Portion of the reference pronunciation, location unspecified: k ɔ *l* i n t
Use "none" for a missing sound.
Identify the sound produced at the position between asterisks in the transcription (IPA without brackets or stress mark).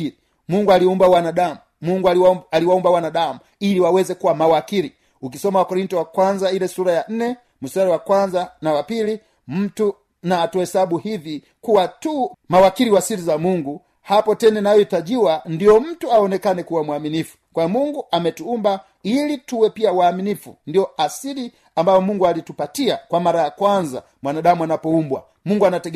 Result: ɾ